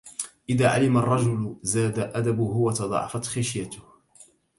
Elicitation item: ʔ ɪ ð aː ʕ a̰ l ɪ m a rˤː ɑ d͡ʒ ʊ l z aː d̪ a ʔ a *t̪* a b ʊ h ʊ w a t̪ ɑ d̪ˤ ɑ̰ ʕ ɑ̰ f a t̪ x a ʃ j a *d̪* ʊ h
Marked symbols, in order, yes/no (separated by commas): no, no